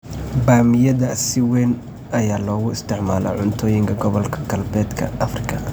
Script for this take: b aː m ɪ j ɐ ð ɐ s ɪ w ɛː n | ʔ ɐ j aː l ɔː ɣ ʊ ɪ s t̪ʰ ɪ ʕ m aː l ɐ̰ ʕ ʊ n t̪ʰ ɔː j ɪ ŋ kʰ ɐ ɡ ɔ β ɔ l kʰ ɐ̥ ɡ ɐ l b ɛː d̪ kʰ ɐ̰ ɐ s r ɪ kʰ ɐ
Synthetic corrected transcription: b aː m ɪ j ɐ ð ɐ s ɪ w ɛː n | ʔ ɐ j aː l ɔː ɣ ʊ ɪ s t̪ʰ ɪ ʕ m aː l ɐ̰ ʕ ʊ n t̪ʰ ɔː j ɪ ŋ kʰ ɐ ɡ ɔ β ɔ l kʰ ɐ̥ ɡ ɐ l b ɛː d̪ kʰ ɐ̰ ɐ f r ɪ kʰ ɐ